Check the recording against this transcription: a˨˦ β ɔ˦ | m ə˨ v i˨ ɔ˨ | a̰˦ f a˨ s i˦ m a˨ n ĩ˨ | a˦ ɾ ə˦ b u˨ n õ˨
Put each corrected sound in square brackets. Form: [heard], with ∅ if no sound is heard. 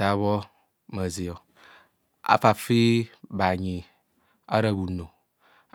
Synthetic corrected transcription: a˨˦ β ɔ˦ | m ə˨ [z] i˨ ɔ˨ | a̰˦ f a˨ [f] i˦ [b] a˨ [ɲ] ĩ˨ | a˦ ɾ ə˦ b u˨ n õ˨